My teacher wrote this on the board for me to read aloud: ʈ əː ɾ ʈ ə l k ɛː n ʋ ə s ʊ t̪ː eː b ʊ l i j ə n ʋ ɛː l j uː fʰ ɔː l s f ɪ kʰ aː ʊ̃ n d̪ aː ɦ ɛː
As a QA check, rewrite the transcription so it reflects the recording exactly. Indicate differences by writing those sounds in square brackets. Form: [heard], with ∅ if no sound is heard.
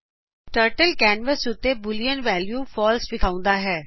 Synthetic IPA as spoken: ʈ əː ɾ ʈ ə l k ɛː n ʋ ə s ʊ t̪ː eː b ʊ l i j ə n ʋ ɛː l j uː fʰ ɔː l s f ɪ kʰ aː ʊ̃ n d̪ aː ɦ ɛː

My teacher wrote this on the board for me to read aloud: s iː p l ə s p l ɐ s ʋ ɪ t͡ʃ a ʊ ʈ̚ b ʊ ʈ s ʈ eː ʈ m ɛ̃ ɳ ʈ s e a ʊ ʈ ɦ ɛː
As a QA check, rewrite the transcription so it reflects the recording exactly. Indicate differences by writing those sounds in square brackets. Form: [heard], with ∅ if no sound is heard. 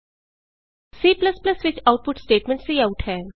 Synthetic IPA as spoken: s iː p l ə s p l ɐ s ʋ ɪ t͡ʃ a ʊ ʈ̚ [p] ʊ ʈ s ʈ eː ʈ m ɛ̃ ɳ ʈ s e a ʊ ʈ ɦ ɛː

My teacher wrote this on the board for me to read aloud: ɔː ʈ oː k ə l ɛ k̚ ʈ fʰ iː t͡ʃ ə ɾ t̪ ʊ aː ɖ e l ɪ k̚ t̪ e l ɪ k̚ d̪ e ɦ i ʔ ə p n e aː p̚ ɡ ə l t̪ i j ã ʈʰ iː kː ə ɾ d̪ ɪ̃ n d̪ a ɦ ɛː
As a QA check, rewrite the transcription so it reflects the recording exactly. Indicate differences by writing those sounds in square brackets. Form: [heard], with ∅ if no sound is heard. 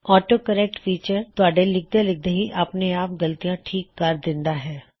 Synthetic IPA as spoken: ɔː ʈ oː k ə [ɾ] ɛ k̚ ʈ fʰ iː t͡ʃ ə ɾ t̪ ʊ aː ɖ e l ɪ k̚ [d̪] e l ɪ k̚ d̪ e ɦ i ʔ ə p n e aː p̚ ɡ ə l t̪ i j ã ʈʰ iː kː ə ɾ d̪ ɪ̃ n d̪ a ɦ ɛː

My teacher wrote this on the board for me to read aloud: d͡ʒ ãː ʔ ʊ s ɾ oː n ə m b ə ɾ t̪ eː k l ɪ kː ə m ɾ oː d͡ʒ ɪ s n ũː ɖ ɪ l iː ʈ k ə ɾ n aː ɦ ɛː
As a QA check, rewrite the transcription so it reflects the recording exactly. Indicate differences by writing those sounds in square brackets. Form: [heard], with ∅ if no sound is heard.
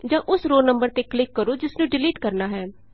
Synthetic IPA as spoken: d͡ʒ ãː ʔ ʊ s ɾ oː n ə m b ə ɾ t̪ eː k l ɪ kː ə [∅] ɾ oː d͡ʒ ɪ s n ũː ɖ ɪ l iː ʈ k ə ɾ n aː ɦ ɛː

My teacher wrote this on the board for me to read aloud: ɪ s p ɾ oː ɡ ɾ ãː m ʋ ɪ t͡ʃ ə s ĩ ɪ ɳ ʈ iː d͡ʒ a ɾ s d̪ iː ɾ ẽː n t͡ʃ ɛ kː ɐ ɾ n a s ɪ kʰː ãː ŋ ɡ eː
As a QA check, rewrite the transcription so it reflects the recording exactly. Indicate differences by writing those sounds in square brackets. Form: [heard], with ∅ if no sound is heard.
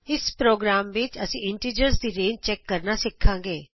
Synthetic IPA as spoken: ɪ s p ɾ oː ɡ ɾ [aː] m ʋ ɪ t͡ʃ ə s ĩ ɪ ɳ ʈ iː d͡ʒ [ə] ɾ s d̪ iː ɾ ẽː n t͡ʃ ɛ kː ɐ ɾ n a s ɪ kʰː ãː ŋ ɡ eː

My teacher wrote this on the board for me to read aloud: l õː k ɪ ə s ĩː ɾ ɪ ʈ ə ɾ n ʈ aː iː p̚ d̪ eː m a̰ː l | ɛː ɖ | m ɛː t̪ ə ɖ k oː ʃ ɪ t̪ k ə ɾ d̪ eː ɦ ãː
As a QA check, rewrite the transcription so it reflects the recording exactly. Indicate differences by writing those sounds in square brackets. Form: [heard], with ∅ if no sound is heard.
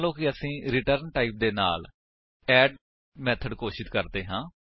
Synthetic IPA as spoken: l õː k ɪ ə s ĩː ɾ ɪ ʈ ə ɾ n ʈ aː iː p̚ d̪ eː [n] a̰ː l | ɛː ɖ | m ɛː [t̪ʰ] ə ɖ k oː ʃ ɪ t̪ k ə ɾ d̪ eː ɦ ãː

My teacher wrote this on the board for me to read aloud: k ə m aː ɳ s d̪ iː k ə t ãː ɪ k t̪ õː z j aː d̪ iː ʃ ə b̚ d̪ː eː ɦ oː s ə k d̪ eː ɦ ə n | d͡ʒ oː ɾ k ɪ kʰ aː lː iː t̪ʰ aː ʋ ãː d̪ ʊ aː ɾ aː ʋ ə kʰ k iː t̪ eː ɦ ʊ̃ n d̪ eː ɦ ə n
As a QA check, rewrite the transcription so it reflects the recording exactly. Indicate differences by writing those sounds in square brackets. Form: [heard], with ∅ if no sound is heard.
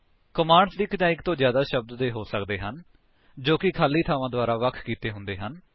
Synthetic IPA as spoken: k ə m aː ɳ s d̪ iː k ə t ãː ɪ k t̪ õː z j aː d̪ [aː] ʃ ə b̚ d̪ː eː ɦ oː s ə k d̪ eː ɦ ə n | d͡ʒ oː [∅] k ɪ kʰ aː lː iː t̪ʰ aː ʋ ãː d̪ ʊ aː ɾ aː ʋ ə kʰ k iː t̪ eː ɦ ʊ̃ n d̪ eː ɦ ə n

